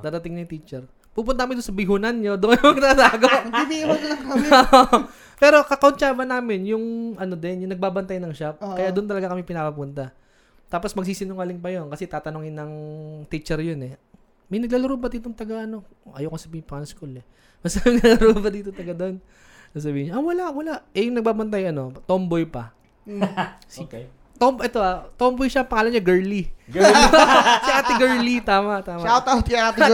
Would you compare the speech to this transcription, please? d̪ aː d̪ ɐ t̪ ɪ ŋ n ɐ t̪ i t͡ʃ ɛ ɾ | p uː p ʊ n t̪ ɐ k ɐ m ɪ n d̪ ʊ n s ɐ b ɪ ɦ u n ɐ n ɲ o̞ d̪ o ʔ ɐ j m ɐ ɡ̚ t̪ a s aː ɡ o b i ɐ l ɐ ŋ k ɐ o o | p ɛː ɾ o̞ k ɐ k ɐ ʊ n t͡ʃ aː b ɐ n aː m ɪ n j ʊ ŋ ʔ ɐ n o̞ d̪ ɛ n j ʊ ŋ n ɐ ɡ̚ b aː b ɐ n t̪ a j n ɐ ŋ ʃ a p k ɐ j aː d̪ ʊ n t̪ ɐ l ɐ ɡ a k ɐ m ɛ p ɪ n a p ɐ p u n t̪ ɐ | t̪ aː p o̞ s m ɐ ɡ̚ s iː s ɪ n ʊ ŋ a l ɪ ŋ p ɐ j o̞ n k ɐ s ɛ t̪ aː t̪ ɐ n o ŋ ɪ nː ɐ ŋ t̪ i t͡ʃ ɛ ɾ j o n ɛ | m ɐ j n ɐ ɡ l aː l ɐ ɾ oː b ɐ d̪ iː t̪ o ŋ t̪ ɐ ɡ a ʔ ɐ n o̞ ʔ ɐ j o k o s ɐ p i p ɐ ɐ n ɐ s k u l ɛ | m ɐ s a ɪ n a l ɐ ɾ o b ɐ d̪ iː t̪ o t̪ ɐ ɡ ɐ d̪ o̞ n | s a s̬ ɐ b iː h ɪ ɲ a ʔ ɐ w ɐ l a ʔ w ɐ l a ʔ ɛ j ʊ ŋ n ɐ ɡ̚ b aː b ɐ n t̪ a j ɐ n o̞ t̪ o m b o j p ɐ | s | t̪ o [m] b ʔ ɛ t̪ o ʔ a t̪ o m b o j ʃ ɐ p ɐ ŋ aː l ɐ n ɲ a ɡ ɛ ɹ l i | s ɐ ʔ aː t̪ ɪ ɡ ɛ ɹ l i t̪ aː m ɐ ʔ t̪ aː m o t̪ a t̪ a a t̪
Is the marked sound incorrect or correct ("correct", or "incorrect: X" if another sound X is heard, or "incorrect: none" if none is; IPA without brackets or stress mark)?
correct